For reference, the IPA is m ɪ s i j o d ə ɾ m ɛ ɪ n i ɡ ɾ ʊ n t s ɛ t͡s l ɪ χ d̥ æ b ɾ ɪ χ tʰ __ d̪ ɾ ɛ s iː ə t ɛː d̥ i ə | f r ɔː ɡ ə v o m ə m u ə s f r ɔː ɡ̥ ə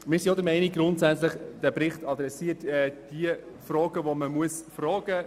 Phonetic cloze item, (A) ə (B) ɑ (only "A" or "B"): B